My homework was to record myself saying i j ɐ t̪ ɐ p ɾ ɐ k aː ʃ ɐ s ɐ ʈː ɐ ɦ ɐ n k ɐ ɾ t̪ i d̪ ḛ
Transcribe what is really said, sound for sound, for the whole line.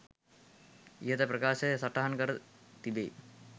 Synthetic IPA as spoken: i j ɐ t̪ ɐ p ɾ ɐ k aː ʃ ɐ s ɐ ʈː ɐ ɦ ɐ n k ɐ ɾ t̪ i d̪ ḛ